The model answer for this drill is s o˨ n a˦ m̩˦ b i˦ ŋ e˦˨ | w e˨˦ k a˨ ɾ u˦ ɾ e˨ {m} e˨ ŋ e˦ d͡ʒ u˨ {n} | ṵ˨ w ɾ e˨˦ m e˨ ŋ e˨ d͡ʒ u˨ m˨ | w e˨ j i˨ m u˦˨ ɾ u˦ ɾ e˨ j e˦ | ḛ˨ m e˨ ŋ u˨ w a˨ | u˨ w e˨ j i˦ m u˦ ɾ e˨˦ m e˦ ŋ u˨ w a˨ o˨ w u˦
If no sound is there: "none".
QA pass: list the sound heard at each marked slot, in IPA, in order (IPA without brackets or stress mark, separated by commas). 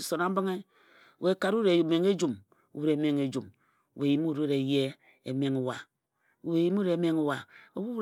m, m